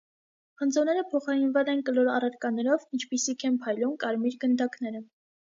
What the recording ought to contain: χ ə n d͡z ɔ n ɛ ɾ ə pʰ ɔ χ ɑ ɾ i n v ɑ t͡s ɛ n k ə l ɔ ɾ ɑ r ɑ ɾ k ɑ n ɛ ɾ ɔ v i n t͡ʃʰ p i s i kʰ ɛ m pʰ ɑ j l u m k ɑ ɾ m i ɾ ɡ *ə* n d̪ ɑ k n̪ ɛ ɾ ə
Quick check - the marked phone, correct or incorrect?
correct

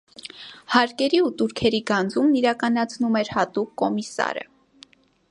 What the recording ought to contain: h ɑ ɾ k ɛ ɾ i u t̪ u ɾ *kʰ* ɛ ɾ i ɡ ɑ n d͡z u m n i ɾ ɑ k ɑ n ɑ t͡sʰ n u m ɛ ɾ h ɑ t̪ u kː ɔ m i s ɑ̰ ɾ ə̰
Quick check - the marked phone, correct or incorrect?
correct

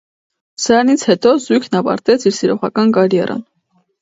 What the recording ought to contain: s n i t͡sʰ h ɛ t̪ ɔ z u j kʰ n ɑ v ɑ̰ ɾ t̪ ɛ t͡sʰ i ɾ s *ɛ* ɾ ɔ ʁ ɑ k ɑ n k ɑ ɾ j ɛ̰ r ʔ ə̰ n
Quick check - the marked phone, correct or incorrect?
incorrect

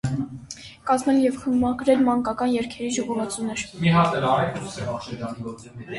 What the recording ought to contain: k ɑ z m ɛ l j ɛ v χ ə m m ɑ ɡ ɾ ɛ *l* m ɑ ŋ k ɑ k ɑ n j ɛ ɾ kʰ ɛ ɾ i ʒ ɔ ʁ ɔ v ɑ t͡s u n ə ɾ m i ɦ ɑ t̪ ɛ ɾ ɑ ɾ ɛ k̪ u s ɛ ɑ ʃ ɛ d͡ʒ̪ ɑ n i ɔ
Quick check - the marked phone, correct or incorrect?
correct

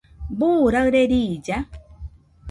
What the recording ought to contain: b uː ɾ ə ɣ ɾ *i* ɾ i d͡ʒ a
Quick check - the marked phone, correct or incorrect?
incorrect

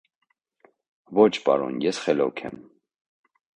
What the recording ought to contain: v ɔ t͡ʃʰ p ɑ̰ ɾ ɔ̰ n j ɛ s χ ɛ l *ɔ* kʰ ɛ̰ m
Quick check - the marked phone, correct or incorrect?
correct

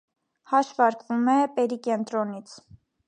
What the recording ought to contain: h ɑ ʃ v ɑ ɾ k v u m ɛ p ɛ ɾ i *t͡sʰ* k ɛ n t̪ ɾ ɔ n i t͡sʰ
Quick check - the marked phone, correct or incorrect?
incorrect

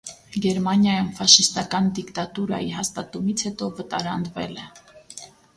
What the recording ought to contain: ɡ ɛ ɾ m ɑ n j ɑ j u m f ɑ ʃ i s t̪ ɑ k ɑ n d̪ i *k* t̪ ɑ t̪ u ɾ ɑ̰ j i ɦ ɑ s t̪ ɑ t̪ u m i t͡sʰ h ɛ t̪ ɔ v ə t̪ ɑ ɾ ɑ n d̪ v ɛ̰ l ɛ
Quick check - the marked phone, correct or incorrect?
correct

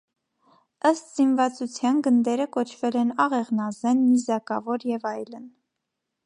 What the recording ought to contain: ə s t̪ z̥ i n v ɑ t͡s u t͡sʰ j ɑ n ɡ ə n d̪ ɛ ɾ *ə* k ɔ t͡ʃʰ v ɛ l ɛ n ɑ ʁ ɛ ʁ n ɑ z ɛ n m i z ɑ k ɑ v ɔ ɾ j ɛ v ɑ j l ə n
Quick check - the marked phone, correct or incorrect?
correct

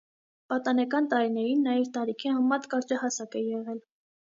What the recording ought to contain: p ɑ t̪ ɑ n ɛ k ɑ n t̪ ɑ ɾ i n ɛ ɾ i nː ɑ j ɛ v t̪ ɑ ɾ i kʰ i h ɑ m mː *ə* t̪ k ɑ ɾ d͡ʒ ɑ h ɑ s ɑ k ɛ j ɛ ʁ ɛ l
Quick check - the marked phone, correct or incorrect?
incorrect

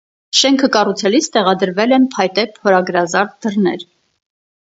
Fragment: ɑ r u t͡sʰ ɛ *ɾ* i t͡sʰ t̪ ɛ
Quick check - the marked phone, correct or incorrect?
incorrect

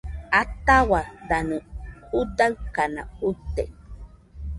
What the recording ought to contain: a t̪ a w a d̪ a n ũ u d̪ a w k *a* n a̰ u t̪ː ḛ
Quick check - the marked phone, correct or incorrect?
correct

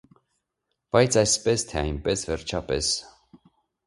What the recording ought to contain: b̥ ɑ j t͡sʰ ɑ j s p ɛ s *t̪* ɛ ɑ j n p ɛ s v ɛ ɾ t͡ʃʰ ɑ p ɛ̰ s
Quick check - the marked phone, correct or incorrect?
incorrect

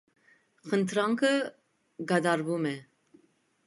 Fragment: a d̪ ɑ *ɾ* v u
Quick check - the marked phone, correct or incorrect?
correct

